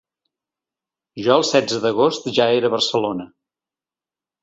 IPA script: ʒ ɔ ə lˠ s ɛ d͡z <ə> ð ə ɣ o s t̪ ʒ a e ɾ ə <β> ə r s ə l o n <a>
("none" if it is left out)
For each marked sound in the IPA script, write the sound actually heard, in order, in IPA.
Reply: ə, β, ə

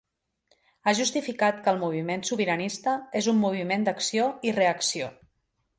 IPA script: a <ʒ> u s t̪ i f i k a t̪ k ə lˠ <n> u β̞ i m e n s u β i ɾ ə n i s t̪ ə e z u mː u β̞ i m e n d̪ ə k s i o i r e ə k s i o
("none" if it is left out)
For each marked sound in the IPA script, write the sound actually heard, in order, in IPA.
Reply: ʒ, m

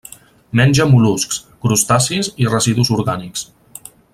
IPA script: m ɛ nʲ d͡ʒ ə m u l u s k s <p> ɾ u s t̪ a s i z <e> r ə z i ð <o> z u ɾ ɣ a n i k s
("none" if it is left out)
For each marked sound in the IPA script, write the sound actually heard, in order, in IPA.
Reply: k, i, u

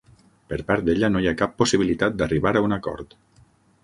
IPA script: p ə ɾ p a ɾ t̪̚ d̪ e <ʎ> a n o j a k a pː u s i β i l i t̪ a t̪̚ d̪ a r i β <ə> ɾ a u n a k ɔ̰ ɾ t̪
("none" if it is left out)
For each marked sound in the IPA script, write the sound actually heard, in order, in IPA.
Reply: ʎ, a

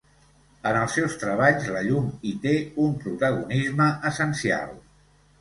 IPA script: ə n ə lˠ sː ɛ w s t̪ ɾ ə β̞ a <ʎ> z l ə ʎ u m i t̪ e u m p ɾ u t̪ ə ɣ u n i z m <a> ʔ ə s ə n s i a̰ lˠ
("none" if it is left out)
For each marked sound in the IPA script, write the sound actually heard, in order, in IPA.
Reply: ʎ, ə

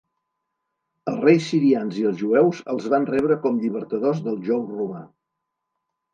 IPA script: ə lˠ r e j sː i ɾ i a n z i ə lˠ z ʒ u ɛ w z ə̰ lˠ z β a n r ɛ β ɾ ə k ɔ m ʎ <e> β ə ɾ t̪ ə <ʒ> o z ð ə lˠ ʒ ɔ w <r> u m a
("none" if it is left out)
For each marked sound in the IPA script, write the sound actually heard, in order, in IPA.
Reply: i, ð, r

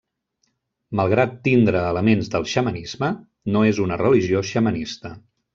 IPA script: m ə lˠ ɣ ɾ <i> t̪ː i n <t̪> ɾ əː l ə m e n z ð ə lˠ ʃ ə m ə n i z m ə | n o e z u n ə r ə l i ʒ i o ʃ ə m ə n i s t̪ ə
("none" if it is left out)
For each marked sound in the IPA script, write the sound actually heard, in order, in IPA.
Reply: a, d̪

